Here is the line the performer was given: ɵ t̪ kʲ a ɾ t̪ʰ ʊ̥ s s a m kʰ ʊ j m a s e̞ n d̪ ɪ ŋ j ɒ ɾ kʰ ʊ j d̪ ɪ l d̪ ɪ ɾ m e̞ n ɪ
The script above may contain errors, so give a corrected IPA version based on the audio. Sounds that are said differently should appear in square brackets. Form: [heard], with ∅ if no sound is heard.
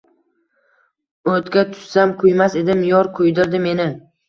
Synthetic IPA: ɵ t̪ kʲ a [∅] t̪ʰ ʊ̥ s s a m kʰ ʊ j m a s e̞ [∅] d̪ ɪ [m] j ɒ ɾ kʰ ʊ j d̪ ɪ [ɾ] d̪ ɪ [∅] m e̞ n ɪ